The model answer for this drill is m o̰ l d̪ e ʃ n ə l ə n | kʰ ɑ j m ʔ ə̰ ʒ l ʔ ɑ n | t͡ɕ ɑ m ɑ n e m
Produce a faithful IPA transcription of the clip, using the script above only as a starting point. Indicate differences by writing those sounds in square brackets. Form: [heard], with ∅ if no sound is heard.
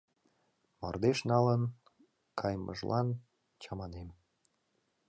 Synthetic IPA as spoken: m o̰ [r] d̪ e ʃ n [ɑ] l ə n | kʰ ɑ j m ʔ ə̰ ʒ l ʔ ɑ n | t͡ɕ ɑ m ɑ n e m